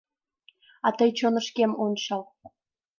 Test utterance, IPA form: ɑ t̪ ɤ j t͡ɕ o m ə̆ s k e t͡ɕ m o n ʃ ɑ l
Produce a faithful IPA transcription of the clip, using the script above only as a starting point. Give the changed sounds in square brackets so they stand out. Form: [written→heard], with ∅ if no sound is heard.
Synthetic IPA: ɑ t̪ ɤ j t͡ɕ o [m→n] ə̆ [s→ʃ] k e [t͡ɕ→∅] m o n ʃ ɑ l